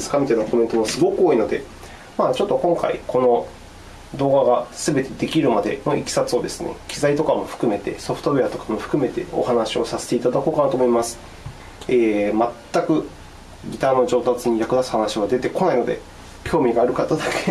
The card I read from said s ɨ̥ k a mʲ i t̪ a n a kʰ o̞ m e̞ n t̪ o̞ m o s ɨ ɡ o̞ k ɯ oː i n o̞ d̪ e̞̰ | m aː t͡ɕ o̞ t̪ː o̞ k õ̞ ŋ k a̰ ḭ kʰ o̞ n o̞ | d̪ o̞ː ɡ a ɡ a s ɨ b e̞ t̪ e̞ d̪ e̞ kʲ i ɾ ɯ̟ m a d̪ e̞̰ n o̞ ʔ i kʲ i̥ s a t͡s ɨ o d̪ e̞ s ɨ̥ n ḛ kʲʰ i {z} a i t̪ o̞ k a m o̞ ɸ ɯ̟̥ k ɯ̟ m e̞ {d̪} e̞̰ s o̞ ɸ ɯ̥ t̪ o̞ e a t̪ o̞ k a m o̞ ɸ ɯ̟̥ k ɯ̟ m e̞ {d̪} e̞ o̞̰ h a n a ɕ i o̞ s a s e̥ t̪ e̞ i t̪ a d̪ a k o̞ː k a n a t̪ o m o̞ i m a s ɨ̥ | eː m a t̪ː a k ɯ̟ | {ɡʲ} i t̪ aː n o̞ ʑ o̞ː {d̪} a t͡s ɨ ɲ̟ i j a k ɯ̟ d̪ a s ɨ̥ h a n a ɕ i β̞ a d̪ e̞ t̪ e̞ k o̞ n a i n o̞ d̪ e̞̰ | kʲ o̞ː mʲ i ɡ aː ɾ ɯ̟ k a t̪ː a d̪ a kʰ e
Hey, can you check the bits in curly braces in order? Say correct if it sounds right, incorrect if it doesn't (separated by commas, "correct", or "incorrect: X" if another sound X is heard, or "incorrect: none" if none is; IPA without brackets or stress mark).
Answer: correct, incorrect: t̪, incorrect: t̪, correct, incorrect: t̪